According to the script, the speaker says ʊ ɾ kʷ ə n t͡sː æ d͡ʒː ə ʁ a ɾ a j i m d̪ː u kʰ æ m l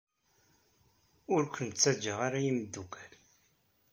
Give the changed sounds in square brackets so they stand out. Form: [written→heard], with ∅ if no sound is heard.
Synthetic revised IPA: ʊ ɾ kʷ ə n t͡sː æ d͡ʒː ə ʁ a ɾ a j i m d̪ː u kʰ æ [m→∅] l

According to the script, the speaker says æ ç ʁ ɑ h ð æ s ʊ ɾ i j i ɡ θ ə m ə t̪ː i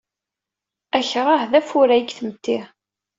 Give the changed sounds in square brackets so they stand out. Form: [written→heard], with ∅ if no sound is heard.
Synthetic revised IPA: æ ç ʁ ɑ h ð æ [s→f] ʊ ɾ [i→æ] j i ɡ θ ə m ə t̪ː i

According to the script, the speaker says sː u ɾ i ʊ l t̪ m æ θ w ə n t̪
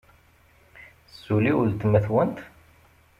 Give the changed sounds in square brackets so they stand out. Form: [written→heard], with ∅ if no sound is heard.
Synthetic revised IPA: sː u [ɾ→l] i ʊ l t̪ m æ θ w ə n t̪

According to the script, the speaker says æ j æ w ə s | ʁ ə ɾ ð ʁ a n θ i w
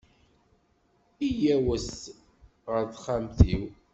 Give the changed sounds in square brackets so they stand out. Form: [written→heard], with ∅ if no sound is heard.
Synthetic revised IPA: [æ→i] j æ w ə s | ʁ ə ɾ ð [ʁ→χ] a [n→m] θ i w

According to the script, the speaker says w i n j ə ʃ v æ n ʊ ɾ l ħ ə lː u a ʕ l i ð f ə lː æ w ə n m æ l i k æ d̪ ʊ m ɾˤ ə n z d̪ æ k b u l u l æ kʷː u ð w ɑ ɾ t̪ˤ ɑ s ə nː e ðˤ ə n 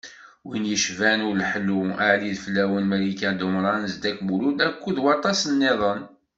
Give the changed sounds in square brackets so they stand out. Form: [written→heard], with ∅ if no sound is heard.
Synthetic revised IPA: w i n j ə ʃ v æ n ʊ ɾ l ħ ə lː u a ʕ l i ð f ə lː æ w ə n m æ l i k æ d̪ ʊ m ɾˤ [ə→ɑ] n z d̪ æ k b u l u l æ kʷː u ð w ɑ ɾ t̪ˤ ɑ s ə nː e ðˤ ə n

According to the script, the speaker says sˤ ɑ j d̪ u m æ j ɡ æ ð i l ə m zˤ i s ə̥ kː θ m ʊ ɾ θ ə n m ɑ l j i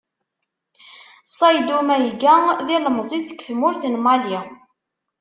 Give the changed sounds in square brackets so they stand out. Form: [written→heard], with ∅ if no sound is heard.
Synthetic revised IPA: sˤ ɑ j d̪ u m æ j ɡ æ ð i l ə m zˤ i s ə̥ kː θ m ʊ ɾ θ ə n m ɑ l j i

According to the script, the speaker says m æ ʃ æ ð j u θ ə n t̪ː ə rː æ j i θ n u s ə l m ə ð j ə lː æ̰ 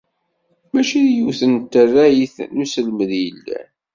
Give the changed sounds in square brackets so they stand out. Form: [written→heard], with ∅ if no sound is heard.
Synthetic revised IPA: m æ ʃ [æ→i] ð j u θ ə n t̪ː ə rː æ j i θ n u s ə l m ə ð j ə lː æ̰

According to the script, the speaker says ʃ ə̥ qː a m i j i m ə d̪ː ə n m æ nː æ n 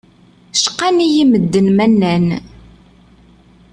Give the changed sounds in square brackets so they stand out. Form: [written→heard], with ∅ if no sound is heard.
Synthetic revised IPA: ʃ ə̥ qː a [m→n] i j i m ə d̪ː ə n m æ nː æ n

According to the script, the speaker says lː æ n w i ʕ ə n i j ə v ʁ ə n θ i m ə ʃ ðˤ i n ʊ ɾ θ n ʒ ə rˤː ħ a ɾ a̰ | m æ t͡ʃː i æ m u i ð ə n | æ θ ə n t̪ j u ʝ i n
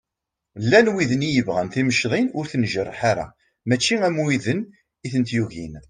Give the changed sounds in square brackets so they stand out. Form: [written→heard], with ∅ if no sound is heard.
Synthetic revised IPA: lː æ n w i [ʕ→ð] ə n i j ə v ʁ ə n θ i m ə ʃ ðˤ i n ʊ ɾ θ n ʒ ə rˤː ħ a ɾ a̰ | m æ t͡ʃː i æ m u i ð ə n | [æ→i] θ ə n t̪ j u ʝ i n

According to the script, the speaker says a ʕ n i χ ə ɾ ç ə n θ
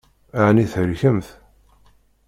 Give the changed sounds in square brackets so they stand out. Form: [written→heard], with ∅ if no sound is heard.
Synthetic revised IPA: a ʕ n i [χ→θ] ə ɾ ç ə [n→m] θ

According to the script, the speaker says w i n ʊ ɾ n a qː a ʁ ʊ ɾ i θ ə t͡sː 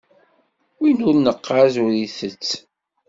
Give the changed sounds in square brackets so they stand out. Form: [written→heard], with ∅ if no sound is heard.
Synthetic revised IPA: w i n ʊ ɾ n [a→ə] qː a [ʁ→z] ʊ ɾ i θ ə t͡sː

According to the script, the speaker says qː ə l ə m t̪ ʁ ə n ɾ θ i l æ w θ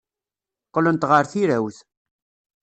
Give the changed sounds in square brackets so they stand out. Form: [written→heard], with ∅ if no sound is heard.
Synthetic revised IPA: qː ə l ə [m→n] t̪ ʁ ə [n→∅] ɾ θ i [l→ɾ] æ w θ

